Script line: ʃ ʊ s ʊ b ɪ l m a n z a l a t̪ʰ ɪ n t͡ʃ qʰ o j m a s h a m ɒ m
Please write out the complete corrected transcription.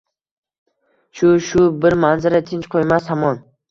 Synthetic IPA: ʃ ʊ ʃ ʊ b ɪ ɾ m a n z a ɾ a t̪ʰ ɪ n t͡ʃ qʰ o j m a s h a m ɒ n